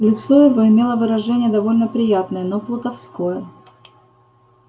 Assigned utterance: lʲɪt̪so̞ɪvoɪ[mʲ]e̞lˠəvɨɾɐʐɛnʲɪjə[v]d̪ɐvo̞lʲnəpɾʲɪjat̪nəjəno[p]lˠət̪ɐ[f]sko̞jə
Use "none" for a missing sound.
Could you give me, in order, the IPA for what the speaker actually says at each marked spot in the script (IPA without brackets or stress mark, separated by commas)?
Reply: mʲ, none, p, f